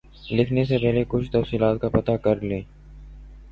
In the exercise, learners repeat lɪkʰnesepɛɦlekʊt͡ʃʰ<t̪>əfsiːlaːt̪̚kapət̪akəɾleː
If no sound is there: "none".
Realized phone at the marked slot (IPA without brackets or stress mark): t̪